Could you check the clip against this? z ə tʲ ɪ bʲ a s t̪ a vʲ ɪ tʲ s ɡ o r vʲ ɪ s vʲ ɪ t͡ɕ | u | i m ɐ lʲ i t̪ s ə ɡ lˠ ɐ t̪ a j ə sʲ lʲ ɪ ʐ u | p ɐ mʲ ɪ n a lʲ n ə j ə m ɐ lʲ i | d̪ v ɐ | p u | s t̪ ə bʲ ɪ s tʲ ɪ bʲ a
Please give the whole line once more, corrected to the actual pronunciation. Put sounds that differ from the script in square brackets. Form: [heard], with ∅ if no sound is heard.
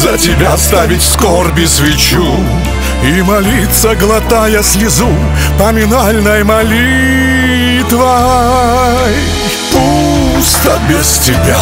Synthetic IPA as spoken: z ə tʲ ɪ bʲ a s t̪ a vʲ ɪ tʲ s [k] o r [bʲ] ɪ s vʲ ɪ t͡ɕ | u | i m ɐ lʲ i t̪ s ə ɡ lˠ ɐ t̪ a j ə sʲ lʲ ɪ [z] u | p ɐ mʲ ɪ n a lʲ n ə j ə m ɐ lʲ i | [t̪] v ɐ | p u | s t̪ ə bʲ ɪ s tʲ ɪ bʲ a